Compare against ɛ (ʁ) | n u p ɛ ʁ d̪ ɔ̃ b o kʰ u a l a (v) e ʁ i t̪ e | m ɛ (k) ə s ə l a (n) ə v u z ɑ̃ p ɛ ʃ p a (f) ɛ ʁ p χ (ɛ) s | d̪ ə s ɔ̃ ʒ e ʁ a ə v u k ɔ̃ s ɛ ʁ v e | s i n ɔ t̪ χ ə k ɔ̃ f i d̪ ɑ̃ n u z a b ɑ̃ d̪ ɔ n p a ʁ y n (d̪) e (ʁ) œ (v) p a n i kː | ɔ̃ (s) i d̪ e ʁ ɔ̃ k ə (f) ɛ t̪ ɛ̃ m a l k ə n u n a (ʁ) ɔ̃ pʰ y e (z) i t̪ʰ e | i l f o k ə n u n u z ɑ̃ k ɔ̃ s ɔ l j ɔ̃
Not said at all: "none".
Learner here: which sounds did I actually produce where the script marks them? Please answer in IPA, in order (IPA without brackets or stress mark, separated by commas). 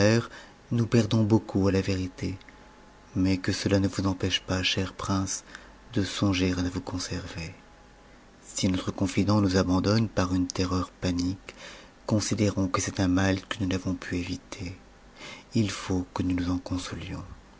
ʁ, v, k, n, ʃ, ɛ̃, t̪, ʁ, ʁ, s, s, v, v